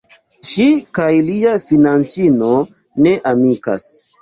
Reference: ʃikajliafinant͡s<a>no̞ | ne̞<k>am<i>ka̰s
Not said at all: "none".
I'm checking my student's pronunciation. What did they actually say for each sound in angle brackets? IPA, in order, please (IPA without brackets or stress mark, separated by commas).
i, ʔ, i